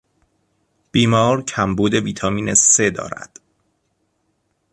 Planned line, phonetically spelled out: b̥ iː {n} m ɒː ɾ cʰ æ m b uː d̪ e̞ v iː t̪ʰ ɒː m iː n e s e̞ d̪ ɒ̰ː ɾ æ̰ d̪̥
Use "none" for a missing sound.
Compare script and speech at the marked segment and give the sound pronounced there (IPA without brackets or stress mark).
none